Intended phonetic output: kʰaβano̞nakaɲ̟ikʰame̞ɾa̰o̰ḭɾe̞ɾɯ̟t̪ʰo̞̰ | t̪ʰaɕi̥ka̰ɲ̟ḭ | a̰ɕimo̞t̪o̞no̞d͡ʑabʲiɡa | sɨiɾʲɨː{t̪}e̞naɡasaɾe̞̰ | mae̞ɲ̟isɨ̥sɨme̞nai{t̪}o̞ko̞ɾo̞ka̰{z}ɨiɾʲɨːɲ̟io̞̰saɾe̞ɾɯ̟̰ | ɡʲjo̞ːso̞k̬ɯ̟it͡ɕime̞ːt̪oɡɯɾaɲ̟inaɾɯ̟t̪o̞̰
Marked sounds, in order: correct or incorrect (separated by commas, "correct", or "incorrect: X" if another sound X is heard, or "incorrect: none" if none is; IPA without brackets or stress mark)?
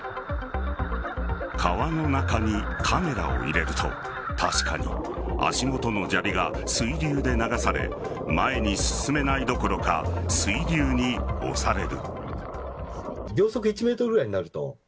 incorrect: d̪, incorrect: d̪, incorrect: s